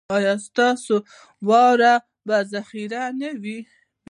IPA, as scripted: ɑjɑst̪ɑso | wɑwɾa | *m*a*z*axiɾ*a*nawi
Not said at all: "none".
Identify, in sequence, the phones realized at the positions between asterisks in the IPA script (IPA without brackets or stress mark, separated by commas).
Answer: b, z, a